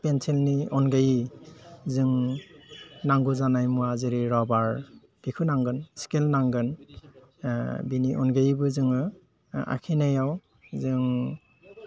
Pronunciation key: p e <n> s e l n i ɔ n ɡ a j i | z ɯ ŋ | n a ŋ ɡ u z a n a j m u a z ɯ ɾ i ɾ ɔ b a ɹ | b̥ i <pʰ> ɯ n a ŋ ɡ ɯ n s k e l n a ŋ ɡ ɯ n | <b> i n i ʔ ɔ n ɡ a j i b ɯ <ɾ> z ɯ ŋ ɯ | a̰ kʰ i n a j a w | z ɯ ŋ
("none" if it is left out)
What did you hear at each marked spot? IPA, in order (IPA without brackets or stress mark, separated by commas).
n, kʰ, b, none